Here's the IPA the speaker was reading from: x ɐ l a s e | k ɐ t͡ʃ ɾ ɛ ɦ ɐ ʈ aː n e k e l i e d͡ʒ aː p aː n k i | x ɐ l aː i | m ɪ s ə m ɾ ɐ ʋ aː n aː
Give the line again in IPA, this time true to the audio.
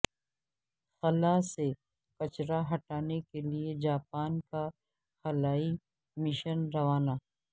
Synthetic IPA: x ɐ l a s e | k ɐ t͡ʃ ɾ a ɦ ɐ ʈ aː n e k e l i e d͡ʒ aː p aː n k a | x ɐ l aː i | m ɪ ʃ ə n ɾ ɐ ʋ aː n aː